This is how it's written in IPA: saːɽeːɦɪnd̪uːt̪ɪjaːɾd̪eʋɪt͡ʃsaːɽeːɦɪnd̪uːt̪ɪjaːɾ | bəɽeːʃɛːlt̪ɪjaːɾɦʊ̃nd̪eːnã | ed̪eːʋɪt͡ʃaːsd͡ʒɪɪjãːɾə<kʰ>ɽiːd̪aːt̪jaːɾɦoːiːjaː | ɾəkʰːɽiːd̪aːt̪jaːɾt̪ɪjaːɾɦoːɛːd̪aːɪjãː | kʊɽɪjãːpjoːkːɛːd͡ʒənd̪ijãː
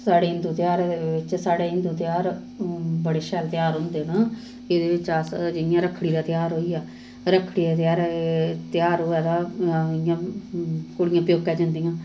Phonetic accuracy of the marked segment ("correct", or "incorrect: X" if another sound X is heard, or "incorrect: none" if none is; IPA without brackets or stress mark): correct